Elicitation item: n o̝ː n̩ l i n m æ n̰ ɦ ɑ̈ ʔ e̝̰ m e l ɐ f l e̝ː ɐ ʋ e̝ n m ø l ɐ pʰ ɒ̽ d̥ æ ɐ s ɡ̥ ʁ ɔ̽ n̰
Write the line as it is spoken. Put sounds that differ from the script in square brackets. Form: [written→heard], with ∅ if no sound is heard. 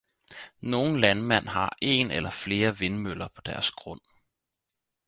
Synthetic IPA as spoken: n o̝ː n̩ l [i→æ] n m æ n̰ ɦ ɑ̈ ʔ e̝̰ [m→n] e l ɐ f l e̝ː ɐ ʋ e̝ n m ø l ɐ pʰ ɒ̽ d̥ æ ɐ s ɡ̥ ʁ ɔ̽ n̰